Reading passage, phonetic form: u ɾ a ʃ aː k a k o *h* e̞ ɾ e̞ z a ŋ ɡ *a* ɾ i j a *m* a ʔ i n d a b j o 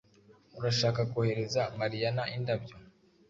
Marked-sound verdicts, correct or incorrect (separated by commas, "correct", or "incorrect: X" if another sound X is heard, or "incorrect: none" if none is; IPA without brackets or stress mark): correct, correct, incorrect: n